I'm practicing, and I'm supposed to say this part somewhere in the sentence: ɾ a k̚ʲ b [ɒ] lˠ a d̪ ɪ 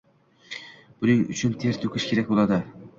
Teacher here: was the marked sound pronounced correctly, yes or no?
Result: no